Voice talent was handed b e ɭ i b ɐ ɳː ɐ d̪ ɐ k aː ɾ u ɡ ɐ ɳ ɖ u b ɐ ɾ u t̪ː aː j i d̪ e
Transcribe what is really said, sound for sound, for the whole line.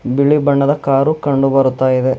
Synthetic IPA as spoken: b i ɭ i b ɐ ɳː ɐ d̪ ɐ k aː ɾ u k ɐ ɳ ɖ u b ɐ ɾ u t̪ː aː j i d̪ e